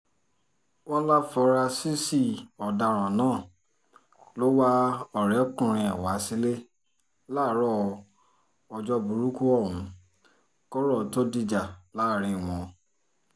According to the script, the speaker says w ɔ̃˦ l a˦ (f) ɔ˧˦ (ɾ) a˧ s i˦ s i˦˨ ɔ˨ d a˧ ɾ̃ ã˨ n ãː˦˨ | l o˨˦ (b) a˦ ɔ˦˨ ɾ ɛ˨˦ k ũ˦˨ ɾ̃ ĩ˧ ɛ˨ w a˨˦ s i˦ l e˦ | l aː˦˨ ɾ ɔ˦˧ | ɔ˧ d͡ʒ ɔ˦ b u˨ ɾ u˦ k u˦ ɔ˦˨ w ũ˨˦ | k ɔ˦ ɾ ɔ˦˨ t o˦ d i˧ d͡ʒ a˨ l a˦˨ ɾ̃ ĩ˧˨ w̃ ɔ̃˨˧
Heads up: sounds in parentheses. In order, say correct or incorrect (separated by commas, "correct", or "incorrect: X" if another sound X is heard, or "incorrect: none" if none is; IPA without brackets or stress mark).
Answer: correct, correct, incorrect: w